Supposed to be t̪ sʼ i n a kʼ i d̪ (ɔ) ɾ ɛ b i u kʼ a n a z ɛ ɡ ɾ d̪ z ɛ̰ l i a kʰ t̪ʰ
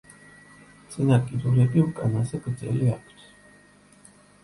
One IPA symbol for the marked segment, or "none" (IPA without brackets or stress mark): u